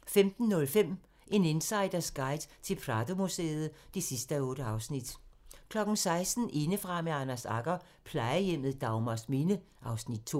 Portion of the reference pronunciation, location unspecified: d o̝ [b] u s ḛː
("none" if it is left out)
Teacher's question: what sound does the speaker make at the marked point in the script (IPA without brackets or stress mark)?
m